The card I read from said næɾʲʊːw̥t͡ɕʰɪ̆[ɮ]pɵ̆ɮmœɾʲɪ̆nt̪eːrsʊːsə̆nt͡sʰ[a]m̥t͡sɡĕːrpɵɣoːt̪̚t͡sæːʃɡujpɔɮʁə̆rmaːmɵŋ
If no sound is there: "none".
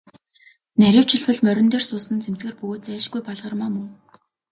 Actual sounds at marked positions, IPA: ɮ, e

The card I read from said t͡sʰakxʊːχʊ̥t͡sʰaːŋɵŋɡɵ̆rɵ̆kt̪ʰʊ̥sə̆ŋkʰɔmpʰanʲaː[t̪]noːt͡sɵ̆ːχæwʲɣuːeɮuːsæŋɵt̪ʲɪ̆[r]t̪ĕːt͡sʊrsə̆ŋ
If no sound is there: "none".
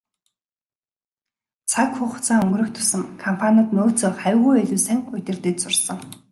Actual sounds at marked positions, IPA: t̪, r

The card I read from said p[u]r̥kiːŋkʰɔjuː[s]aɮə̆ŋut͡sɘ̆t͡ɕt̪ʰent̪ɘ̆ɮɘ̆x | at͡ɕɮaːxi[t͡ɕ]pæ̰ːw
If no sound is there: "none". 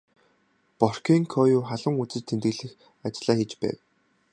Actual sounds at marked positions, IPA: ɔ, χ, t͡ɕ

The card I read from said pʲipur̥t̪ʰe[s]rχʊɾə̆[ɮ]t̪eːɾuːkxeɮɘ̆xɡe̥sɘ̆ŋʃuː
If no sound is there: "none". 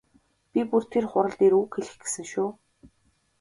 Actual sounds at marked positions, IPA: none, ɮ

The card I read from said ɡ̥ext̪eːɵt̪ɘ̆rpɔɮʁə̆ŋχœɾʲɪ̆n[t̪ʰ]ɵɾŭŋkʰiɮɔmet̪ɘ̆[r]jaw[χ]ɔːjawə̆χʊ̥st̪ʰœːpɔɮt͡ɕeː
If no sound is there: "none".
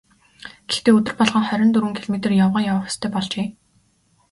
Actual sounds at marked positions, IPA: t̪, r, ʁ

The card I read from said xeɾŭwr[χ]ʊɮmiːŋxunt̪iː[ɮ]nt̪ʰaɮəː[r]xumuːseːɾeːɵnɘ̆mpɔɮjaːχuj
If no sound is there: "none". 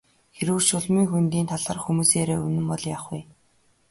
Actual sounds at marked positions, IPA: ʃ, none, r

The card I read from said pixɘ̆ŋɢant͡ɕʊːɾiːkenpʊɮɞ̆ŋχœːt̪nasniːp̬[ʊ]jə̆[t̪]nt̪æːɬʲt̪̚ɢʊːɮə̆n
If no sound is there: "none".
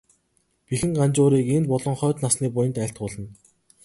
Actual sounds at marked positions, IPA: ʊ, none

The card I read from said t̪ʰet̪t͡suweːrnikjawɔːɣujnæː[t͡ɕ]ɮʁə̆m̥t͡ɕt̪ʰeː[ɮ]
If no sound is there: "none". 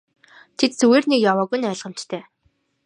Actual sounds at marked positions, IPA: none, none

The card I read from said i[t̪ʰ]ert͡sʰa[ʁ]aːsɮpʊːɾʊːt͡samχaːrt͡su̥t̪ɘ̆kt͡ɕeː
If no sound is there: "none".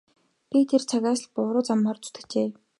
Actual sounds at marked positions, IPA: t̪ʰ, ɣ

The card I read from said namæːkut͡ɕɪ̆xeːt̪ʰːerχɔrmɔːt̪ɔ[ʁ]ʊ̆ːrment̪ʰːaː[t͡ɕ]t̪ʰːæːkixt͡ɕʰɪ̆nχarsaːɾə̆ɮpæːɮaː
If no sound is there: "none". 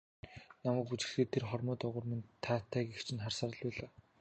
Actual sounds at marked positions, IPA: ʁ, none

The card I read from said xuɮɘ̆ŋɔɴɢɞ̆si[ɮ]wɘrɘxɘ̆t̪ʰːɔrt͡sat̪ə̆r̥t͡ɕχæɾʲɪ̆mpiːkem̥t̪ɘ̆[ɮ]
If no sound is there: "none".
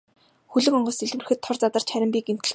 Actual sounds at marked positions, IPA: ɮ, ɮ

